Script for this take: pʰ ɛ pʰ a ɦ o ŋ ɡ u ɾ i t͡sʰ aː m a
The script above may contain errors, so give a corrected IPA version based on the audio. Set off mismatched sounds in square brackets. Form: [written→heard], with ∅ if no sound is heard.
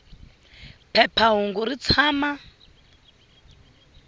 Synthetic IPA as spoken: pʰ ɛ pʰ a ɦ [o→u] ŋ ɡ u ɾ i t͡sʰ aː m a